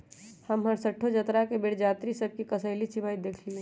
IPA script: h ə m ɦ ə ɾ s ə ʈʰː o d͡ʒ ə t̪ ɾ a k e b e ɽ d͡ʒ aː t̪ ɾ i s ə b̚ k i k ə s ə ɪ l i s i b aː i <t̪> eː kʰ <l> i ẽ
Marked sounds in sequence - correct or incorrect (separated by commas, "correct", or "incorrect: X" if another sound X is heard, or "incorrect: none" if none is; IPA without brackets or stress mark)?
incorrect: d̪, correct